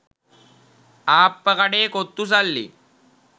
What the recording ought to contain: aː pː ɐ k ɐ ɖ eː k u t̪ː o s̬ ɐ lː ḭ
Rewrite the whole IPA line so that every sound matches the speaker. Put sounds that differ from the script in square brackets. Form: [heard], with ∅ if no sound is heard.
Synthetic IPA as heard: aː pː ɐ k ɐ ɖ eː k [o] t̪ː [u] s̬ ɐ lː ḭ